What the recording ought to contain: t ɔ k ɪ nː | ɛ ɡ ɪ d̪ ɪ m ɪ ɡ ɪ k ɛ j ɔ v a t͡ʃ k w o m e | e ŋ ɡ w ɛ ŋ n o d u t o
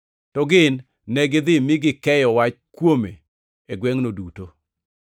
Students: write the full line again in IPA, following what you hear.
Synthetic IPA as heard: t ɔ ɡ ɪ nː | ɛ ɡ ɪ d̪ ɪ m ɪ ɡ ɪ k ɛ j ɔ w a t͡ʃ k w o m e | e ɡ w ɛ ŋ n o d u t o